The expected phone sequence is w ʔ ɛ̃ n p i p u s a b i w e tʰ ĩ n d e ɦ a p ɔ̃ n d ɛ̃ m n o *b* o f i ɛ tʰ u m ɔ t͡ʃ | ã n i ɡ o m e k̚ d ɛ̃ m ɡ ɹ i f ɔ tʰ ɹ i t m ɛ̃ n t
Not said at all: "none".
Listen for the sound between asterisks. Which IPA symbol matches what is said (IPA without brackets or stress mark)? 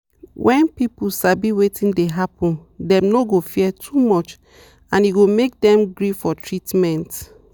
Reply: ɡ